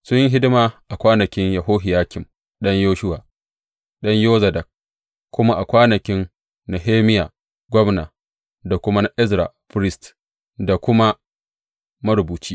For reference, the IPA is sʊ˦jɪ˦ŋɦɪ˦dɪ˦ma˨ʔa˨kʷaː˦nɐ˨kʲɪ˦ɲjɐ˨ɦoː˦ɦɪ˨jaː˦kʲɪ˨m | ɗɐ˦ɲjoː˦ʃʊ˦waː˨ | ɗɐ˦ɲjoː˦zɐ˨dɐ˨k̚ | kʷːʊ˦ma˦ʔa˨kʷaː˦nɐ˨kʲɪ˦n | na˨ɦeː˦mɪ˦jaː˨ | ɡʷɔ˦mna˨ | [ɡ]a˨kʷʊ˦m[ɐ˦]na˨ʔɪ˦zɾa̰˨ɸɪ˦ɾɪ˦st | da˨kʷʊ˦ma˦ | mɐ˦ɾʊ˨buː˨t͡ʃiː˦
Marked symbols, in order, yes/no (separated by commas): no, no